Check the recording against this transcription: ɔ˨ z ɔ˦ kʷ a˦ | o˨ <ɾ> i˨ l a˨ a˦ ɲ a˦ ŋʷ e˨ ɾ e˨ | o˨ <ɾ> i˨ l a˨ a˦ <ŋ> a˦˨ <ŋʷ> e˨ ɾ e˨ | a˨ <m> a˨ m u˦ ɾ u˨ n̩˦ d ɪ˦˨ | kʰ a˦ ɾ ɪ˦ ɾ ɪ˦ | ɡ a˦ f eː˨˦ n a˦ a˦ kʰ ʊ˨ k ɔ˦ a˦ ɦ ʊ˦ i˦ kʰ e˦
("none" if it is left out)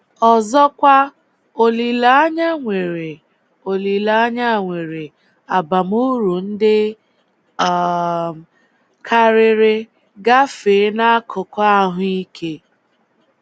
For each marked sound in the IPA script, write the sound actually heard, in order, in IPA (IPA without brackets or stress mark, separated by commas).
l, l, ɲ, ŋʷ, b